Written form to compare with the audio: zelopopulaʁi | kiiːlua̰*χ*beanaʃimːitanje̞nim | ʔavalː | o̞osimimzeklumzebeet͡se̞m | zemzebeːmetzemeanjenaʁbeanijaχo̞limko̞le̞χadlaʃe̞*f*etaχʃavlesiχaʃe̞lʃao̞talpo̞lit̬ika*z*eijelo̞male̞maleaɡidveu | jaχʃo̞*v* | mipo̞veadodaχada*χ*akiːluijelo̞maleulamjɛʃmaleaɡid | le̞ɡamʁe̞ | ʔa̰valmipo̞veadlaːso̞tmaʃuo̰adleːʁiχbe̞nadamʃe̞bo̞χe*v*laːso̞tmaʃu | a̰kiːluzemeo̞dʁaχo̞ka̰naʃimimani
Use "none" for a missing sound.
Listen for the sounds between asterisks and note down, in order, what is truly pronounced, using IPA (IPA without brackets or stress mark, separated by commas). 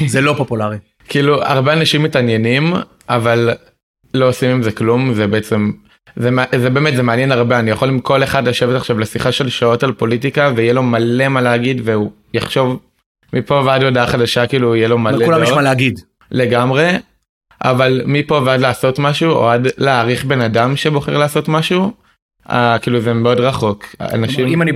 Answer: ʁ, v, v, v, ʃ, ʁ